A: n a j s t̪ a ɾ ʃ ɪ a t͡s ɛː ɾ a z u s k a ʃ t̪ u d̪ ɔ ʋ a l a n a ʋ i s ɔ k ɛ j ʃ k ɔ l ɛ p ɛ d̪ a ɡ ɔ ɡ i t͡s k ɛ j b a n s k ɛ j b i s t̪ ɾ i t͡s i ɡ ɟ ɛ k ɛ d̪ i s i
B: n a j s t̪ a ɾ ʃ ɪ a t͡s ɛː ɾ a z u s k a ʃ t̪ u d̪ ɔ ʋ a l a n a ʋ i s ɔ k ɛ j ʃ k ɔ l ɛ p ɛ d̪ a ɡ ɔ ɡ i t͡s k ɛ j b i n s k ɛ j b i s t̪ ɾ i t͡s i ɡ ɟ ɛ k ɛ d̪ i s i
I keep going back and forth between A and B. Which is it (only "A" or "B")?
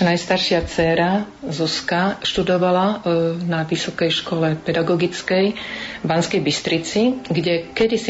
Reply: A